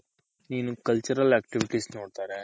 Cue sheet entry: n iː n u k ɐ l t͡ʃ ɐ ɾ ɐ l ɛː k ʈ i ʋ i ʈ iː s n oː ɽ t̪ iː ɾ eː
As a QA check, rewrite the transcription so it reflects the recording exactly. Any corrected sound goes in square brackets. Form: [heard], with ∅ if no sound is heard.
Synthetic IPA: n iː n u k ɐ l t͡ʃ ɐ ɾ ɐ l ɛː k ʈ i ʋ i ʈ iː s n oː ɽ t̪ [aː] ɾ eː